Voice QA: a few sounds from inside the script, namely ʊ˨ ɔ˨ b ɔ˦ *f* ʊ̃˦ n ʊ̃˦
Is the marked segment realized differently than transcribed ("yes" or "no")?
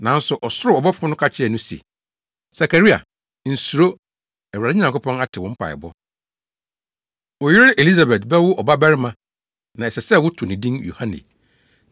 no